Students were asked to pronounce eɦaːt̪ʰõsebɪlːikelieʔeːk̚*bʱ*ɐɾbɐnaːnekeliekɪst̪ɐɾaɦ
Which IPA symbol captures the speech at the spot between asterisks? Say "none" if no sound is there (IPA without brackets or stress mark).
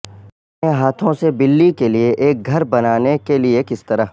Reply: ɡʱ